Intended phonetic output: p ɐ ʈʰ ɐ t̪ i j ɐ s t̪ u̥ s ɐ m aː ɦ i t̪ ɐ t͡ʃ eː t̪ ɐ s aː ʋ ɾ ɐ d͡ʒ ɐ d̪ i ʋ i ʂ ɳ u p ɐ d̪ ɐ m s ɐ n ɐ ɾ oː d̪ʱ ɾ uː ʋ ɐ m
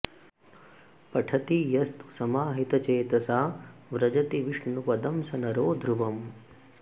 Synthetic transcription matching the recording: p ɐ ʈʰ ɐ t̪ i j ɐ s t̪ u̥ s ɐ m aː ɦ i t̪ ɐ t͡ʃ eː t̪ ɐ s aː ʋ ɾ ɐ d͡ʒ ɐ t̪ i ʋ i ʂ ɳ u p ɐ d̪ ɐ m s ɐ n ɐ ɾ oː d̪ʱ ɾ u ʋ ɐ m

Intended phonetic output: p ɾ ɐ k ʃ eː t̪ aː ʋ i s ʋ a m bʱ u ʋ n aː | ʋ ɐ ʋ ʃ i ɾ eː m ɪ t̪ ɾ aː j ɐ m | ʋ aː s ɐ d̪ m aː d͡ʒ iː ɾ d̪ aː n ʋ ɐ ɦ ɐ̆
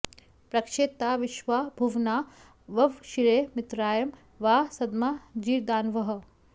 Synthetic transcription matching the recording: p ɾ ɐ k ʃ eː t̪ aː ʋ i ʃ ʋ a bʱ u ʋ n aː | ʋ ɐ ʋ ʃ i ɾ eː m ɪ t̪ ɾ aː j ɐ m | ʋ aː s ɐ d̪ m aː d͡ʒ iː ɾ d̪ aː n ʋ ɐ ɦ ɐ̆

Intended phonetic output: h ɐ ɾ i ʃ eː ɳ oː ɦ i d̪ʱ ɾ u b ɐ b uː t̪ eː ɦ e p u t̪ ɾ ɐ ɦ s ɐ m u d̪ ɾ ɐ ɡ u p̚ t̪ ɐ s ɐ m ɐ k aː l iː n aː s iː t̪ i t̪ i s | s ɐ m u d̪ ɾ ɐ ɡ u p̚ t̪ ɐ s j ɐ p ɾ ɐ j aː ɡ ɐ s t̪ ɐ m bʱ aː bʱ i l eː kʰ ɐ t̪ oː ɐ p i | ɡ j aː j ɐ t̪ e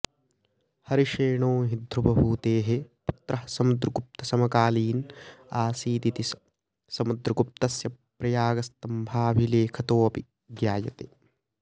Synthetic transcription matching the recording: h ɐ ɾ i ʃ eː ɳ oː ɦ i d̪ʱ ɾ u b ɐ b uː t̪ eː ɦ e p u t̪ ɾ ɐ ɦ s ɐ m u d̪ ɾ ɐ ɡ u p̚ t̪ ɐ s ɐ m ɐ k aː l iː n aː s iː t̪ i t̪ i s | s ɐ m u d̪ ɾ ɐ ɡ u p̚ t̪ ɐ s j ɐ p ɾ ɐ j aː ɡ ɐ s t̪ ɐ m bʱ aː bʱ i l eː kʰ ɐ t̪ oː ɐ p i | ɡ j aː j ɐ t̪ e

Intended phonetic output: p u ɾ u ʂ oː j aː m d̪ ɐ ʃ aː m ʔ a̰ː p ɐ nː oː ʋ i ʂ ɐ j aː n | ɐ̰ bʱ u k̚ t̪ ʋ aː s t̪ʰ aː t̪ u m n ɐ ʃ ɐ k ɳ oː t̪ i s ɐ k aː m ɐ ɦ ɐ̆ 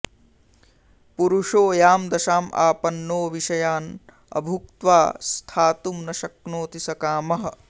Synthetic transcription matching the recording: p u ɾ u ʂ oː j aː m d̪ ɐ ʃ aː m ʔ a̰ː p ɐ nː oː ʋ i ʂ ɐ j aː n | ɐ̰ bʱ u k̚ t̪ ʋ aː s t̪ʰ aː t̪ u m n ɐ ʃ ɐ k n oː t̪ i s ɐ k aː m ɐ ɦ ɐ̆

